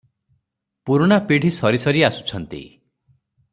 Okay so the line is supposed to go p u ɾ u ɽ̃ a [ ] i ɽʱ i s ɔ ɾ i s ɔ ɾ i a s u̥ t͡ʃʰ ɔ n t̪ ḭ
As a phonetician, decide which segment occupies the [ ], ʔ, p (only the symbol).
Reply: p